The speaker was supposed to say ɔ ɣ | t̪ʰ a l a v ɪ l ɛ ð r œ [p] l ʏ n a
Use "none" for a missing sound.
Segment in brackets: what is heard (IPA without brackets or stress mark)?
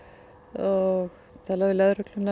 k